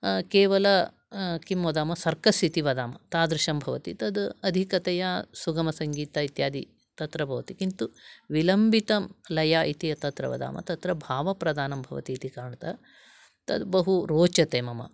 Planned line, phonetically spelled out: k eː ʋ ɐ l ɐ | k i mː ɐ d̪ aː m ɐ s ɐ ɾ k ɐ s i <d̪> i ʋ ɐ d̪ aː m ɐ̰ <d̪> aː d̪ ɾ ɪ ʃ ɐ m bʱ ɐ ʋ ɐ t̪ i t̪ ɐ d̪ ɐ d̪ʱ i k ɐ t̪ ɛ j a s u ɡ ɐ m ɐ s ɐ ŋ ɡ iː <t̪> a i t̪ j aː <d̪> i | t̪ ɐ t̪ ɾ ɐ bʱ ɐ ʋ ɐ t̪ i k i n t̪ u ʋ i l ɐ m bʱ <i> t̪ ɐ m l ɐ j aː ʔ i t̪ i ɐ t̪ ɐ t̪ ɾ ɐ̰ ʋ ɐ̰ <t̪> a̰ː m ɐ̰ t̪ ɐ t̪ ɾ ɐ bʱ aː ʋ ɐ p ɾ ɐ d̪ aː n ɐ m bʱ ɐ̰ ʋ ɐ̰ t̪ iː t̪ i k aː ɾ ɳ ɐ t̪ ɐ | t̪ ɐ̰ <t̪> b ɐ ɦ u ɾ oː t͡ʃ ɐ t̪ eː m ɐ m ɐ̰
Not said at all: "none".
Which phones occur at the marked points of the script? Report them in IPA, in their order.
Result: t̪, t̪, t̪, d̪, i, d̪, d̪

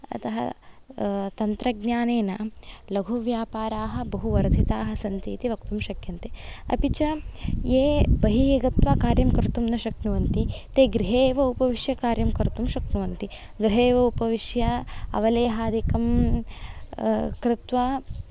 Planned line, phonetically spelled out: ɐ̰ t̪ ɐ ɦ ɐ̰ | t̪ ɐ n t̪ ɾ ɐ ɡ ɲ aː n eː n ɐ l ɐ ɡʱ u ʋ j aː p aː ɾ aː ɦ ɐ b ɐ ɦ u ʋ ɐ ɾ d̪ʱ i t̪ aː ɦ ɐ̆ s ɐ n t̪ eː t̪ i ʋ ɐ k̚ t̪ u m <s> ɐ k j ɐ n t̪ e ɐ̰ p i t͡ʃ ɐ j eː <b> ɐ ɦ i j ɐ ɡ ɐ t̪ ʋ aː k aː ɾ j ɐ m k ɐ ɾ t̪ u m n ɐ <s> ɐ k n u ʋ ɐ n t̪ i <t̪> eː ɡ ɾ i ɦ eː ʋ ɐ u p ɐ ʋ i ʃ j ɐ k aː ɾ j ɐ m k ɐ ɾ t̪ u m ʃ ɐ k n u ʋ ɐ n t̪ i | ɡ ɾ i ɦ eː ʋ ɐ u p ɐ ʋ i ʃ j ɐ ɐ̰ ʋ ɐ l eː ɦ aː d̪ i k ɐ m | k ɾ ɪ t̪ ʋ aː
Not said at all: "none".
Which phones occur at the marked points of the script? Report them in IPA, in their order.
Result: ʃ, b, ʃ, t̪

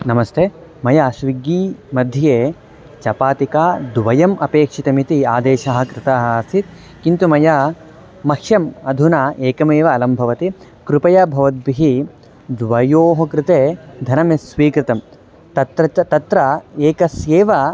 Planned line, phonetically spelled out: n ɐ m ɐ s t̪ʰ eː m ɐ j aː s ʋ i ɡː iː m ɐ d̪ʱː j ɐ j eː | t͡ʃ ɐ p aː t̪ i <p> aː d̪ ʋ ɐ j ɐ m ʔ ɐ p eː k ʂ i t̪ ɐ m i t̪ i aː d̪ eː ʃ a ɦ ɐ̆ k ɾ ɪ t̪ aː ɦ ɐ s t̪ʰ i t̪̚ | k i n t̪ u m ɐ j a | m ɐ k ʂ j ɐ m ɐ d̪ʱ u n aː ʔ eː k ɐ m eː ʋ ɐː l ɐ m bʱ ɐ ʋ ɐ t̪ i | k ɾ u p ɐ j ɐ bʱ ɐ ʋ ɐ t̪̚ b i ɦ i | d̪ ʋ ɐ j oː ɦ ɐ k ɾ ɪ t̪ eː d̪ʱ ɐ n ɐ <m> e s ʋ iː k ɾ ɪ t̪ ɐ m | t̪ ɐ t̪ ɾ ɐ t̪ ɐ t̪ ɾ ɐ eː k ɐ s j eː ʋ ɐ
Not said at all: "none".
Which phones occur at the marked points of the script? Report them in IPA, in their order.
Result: k, m

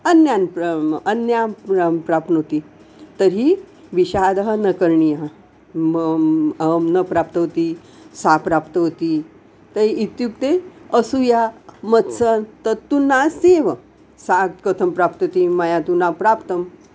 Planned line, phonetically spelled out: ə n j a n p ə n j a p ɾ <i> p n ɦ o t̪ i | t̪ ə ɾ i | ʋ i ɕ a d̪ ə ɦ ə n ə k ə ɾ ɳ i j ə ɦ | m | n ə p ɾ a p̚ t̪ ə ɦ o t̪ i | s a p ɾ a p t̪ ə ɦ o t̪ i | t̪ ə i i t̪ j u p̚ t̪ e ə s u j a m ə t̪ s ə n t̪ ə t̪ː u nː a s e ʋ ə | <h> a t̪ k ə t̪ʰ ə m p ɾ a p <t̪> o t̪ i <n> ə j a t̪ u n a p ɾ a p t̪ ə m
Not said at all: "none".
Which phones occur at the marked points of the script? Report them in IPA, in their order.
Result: a, s, t̪, m

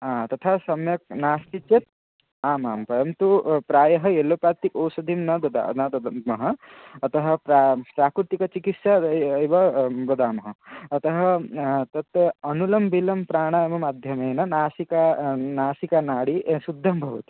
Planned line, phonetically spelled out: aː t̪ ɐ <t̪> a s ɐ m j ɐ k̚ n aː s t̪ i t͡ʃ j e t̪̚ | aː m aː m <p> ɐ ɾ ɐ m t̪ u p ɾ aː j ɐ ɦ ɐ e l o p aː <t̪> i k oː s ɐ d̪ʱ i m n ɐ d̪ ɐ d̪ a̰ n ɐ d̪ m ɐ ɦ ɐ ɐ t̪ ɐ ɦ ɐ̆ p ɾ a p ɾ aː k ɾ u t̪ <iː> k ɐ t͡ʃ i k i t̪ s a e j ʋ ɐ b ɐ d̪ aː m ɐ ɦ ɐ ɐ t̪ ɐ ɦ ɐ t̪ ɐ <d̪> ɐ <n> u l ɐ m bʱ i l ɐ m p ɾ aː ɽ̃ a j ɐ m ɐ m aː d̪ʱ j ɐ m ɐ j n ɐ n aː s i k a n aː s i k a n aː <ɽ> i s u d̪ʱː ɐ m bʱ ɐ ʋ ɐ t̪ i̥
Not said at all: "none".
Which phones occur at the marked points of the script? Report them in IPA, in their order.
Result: t̪ʰ, p, t̪, i, t̪, n, ɽ

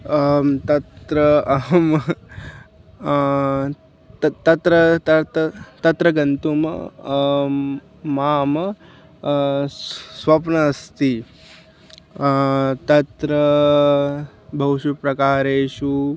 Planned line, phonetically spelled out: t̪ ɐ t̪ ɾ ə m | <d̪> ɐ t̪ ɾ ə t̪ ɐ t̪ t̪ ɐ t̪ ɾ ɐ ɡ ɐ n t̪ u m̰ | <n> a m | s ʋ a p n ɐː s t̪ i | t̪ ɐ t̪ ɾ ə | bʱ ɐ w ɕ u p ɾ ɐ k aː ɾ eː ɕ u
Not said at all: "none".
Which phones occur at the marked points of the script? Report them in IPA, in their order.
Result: t̪, m

